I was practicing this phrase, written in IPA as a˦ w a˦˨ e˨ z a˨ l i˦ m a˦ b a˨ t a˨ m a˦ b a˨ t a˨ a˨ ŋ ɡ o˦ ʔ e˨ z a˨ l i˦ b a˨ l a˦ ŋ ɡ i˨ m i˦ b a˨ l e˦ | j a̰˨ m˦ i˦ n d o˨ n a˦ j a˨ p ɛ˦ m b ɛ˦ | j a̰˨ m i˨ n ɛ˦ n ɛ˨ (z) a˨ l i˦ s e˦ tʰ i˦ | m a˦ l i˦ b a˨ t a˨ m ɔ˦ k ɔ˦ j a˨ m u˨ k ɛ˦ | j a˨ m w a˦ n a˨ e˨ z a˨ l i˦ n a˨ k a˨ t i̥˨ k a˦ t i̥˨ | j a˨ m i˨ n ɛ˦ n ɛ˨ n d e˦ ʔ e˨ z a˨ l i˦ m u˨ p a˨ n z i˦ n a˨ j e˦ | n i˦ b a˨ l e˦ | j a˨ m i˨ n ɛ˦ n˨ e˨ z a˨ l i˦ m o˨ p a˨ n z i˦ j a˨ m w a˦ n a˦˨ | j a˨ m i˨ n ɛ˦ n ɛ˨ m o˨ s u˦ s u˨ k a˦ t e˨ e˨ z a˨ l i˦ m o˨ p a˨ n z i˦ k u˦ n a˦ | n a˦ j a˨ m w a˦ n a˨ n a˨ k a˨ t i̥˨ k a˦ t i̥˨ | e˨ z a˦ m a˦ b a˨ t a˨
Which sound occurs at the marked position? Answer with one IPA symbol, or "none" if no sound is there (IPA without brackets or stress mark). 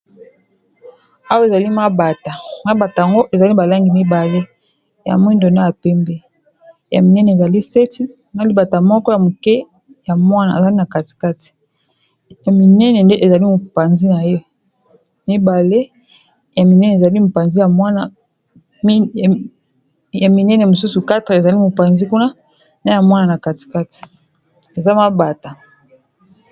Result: z